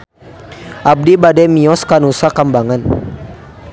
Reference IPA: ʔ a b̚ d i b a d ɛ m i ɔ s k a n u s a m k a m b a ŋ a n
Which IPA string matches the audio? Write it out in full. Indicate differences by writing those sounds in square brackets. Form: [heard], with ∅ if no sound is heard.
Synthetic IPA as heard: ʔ a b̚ d i b a d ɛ m i ɔ s k a n u s a [∅] k a m b a ŋ a n